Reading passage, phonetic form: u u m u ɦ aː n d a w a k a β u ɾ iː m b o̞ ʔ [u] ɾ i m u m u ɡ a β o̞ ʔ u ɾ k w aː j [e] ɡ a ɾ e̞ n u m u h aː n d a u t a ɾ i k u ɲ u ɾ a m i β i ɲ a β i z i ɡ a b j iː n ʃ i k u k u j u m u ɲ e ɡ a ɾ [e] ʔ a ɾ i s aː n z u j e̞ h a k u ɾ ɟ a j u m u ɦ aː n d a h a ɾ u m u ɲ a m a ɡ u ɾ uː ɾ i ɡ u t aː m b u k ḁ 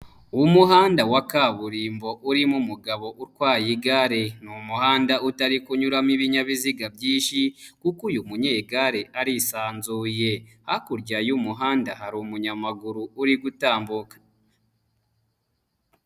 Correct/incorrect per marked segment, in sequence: correct, incorrect, correct

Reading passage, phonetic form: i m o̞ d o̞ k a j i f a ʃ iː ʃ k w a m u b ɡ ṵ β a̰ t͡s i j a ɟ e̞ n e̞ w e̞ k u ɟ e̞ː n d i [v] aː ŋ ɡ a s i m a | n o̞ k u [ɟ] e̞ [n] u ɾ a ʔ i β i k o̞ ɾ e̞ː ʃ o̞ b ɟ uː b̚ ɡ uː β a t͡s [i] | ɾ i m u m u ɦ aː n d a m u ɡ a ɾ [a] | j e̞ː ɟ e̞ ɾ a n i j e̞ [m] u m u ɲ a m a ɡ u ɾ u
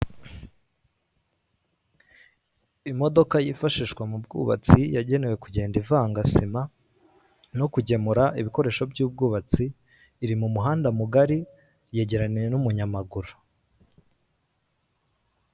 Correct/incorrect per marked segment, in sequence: correct, correct, incorrect, incorrect, incorrect, incorrect

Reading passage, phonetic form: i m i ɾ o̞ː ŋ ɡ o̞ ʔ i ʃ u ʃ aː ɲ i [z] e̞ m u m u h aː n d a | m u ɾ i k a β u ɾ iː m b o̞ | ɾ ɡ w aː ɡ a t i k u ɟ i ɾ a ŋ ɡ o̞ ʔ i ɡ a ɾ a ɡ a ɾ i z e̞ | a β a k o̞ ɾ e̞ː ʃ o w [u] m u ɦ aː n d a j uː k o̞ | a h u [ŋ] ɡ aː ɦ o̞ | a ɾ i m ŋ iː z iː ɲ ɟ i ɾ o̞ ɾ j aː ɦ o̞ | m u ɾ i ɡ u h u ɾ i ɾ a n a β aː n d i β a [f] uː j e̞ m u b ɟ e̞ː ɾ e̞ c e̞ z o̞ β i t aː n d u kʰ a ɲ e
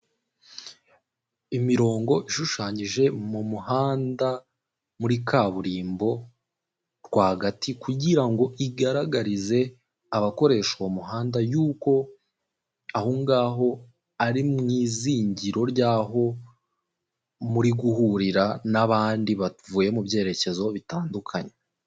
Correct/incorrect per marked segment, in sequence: incorrect, incorrect, correct, incorrect

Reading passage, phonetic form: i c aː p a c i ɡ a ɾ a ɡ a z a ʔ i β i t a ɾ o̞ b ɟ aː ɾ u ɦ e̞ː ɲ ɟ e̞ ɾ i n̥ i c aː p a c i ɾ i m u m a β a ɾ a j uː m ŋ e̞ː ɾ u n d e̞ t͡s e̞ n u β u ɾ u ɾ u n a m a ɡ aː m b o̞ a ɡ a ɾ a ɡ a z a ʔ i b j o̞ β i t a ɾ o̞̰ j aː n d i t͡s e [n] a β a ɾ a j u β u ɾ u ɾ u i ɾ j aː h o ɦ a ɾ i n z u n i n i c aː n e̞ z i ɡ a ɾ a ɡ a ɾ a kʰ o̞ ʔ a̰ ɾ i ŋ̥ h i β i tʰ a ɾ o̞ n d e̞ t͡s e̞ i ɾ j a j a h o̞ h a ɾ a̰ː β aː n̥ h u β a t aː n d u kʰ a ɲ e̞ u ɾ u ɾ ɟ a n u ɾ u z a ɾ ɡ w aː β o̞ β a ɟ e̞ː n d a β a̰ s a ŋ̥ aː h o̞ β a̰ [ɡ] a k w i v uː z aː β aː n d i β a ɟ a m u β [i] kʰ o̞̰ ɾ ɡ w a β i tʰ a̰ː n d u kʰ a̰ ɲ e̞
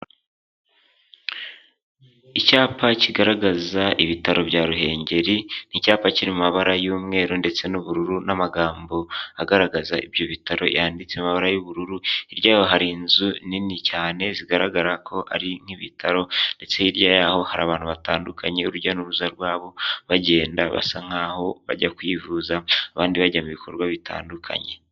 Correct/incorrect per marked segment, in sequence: incorrect, incorrect, correct

